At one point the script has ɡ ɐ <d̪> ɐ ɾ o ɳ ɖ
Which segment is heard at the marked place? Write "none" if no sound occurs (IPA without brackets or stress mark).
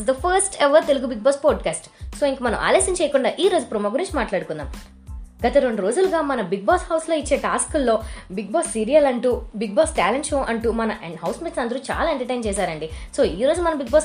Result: t̪